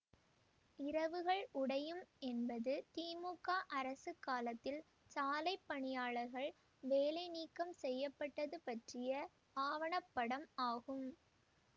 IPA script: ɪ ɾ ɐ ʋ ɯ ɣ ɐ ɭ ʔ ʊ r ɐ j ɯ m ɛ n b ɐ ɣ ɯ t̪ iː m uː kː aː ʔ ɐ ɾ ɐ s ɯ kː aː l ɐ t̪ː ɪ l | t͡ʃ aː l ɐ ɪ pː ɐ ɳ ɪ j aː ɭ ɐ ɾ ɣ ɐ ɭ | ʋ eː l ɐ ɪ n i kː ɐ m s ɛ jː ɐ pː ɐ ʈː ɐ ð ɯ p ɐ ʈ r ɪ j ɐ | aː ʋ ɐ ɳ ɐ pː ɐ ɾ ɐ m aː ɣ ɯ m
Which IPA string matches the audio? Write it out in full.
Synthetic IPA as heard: ɪ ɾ ɐ ʋ ɯ ɣ ɐ ɭ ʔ ʊ ɽ ɐ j ɯ m ɛ n b ɐ ð ɯ t̪ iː m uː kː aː ʔ ɐ ɾ ɐ s ɯ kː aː l ɐ t̪ː ɪ l | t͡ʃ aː l ɐ ɪ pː ɐ ɳ ɪ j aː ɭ ɐ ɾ ɣ ɐ ɭ | ʋ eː l ɐ ɪ n iː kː ɐ m s ɛ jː ɐ pː ɐ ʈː ɐ ð ɯ p ɐ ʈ r ɪ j ɐ | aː ʋ ɐ ɳ ɐ pː ɐ ɽ ɐ m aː ɣ ɯ m